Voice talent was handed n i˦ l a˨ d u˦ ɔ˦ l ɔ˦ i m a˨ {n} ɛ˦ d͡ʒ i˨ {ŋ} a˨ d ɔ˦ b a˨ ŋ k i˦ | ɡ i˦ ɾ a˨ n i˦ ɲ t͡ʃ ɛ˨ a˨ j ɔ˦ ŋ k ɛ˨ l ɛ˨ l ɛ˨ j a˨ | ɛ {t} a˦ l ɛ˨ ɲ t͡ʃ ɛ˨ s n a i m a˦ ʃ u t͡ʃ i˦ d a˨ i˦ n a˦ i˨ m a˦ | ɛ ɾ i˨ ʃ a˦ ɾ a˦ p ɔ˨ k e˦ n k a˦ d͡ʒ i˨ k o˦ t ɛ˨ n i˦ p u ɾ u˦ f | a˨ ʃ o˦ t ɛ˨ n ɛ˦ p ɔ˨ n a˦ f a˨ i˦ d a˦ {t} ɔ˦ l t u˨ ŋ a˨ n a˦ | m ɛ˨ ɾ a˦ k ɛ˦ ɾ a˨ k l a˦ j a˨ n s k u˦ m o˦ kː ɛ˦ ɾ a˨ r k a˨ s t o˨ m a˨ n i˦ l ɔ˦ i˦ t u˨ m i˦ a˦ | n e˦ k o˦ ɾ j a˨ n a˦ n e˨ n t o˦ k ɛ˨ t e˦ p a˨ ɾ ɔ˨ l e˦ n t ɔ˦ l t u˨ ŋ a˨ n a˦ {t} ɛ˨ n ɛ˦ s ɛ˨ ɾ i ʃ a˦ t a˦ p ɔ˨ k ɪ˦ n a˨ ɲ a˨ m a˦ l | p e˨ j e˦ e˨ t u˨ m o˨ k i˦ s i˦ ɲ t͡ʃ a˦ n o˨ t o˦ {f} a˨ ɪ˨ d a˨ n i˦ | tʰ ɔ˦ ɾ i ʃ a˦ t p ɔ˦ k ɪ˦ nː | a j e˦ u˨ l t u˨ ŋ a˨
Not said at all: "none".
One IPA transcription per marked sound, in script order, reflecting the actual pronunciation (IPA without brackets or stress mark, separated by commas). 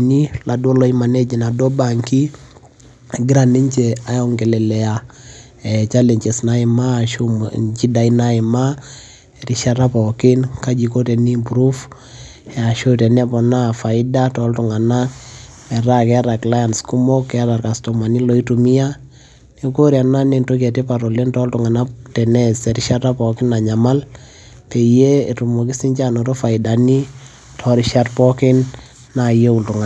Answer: n, n, t͡ʃ, t, t, f